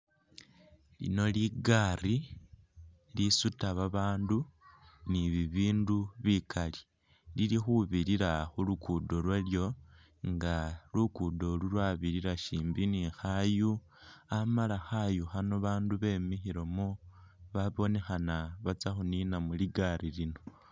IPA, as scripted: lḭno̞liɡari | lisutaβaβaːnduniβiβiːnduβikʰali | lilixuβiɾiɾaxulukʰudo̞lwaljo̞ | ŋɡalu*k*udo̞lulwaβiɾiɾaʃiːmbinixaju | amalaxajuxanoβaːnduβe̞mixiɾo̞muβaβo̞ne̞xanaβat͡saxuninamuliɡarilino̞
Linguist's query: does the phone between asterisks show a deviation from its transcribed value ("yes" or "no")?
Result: no